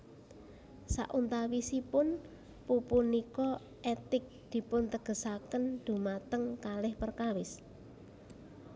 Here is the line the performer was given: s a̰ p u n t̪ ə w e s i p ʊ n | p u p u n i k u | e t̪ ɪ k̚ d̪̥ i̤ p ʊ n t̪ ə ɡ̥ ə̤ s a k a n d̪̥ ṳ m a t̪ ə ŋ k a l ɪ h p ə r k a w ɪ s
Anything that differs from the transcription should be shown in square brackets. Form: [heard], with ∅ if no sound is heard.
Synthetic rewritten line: s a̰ [ʔ] u n t̪ [a] w [i] s i p ʊ n | p u p u n i k [ɔ] | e t̪ ɪ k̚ d̪̥ i̤ p ʊ n t̪ ə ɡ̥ ə̤ s a k [ə] n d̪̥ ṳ m a t̪ ə ŋ k a l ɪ h p ə r k a w ɪ s